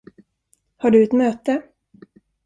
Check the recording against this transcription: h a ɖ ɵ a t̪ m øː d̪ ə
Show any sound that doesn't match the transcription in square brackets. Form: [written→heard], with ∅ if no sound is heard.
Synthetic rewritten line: h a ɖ ɵ [a→ɛ] t̪ m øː [d̪→t̪] ə